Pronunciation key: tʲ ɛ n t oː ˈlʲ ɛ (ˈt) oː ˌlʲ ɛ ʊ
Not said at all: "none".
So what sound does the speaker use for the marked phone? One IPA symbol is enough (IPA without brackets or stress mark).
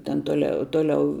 t